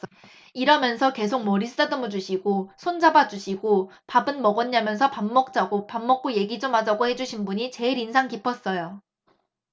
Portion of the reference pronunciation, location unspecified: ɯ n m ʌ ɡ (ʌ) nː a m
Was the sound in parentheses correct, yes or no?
yes